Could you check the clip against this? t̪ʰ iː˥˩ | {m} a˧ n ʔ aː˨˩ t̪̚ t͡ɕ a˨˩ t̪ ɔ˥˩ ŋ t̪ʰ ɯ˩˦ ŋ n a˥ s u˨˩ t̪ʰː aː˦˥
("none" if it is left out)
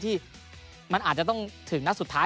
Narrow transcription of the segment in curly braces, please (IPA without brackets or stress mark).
m